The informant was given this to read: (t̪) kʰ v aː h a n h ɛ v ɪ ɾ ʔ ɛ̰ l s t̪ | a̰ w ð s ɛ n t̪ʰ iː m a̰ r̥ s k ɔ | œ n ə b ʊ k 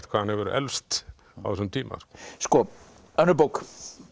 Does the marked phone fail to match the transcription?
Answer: no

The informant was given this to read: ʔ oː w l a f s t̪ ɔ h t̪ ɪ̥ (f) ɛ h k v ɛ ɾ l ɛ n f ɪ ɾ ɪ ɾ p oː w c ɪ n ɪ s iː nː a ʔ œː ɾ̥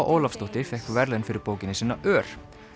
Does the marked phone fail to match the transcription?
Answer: no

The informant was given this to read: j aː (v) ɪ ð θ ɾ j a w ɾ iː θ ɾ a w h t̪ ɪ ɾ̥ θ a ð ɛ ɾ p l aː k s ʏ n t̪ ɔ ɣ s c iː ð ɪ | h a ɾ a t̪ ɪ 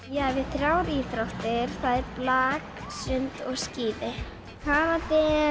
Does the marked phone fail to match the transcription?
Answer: no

